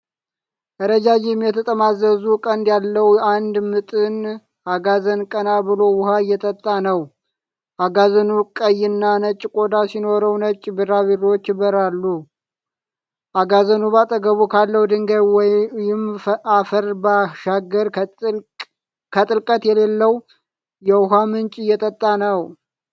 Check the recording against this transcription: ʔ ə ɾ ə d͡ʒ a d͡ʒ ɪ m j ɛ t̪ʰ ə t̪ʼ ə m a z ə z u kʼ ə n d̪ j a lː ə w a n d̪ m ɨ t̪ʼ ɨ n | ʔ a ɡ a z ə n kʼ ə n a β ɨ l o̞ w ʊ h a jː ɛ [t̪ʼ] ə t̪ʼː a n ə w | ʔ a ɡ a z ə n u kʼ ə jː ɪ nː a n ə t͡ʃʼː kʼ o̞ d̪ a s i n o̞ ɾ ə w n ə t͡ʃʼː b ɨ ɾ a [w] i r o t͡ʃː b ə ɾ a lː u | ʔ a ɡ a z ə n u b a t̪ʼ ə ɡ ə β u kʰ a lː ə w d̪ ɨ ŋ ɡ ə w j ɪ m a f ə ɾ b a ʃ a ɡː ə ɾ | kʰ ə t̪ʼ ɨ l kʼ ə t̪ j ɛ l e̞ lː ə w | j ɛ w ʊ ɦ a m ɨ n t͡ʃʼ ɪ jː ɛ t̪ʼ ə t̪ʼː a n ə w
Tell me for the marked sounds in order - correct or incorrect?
correct, incorrect: β

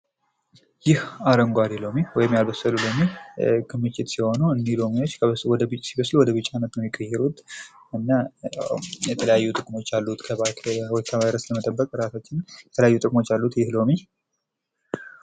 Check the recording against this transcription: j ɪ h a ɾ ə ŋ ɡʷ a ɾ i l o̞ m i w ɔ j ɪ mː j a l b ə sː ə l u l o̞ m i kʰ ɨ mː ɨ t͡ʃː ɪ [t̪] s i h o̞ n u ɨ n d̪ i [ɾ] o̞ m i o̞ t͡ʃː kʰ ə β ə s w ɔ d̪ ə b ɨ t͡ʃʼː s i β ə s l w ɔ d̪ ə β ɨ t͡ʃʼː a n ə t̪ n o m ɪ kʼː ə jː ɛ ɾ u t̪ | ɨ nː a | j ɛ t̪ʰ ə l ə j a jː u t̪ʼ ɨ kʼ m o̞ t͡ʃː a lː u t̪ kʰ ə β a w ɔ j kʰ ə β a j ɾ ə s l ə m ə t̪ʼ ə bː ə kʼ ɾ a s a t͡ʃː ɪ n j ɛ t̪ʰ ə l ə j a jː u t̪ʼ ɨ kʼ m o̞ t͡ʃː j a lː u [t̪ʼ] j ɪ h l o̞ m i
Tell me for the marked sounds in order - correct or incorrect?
correct, incorrect: l, incorrect: t̪

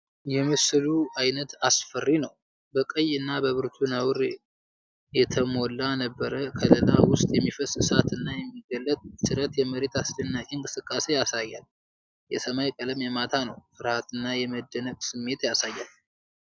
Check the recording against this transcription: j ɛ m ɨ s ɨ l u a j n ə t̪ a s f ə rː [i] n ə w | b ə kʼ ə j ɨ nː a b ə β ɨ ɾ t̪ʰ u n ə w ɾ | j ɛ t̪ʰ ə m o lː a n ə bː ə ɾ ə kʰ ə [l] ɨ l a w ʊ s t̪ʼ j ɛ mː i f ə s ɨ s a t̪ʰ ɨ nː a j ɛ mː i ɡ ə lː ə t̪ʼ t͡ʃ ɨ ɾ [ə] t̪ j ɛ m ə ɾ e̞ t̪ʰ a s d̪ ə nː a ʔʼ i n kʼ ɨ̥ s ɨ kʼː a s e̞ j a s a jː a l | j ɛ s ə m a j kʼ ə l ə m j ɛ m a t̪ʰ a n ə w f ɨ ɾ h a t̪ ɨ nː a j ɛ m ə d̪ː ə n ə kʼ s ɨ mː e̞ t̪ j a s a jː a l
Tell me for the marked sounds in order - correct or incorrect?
correct, correct, correct

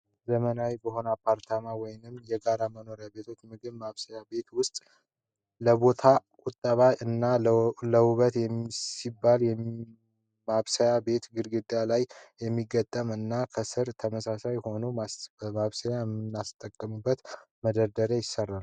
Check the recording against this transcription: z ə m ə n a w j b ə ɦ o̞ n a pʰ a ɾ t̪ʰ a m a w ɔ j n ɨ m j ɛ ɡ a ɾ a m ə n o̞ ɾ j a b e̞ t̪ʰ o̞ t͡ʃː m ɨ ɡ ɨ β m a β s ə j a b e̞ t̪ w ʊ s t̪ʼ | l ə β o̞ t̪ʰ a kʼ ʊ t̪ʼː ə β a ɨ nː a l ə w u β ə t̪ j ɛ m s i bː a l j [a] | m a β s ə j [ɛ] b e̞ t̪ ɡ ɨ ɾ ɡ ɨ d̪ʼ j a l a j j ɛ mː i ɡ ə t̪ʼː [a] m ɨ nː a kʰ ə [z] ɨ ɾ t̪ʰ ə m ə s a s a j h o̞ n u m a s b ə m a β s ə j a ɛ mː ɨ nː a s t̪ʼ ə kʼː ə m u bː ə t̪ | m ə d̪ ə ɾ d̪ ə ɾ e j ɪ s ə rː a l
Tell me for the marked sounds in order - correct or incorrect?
incorrect: ɛ, incorrect: a, incorrect: ə, incorrect: s

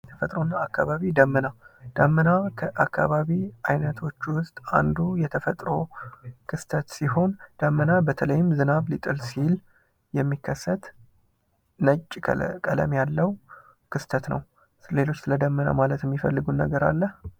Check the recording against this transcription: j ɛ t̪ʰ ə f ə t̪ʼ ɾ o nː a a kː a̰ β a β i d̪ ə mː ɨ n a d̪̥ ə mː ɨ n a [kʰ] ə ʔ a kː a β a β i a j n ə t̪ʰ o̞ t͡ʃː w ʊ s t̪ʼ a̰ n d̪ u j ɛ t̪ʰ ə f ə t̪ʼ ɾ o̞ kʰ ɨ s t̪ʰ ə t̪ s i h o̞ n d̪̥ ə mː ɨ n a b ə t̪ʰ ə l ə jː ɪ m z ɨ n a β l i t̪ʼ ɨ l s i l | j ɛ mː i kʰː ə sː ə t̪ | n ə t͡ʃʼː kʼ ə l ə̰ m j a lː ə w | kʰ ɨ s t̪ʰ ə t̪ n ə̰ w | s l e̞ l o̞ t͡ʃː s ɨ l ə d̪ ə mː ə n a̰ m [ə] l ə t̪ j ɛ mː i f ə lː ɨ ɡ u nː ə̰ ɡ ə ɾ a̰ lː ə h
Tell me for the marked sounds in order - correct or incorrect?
correct, incorrect: a

